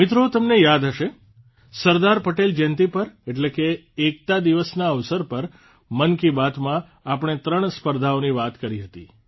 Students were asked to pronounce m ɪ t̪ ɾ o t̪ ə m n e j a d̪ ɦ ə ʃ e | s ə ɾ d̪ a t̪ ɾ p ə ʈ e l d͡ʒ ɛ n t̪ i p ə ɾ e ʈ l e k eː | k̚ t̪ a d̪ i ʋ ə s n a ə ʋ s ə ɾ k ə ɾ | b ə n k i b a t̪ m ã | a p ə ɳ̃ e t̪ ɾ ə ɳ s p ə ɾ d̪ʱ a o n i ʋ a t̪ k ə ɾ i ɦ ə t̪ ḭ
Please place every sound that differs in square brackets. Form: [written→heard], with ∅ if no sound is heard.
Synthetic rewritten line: m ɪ t̪ ɾ o t̪ ə m n e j a d̪ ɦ ə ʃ e | s ə ɾ d̪ a [t̪→∅] ɾ p ə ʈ e l d͡ʒ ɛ n t̪ i p ə ɾ e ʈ l e k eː | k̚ t̪ a d̪ i ʋ ə s n a ə ʋ s ə ɾ [k→p] ə ɾ | [b→m] ə n k i b a t̪ m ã | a p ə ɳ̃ e t̪ ɾ ə ɳ s p ə ɾ d̪ʱ a o n i ʋ a t̪ k ə ɾ i ɦ ə t̪ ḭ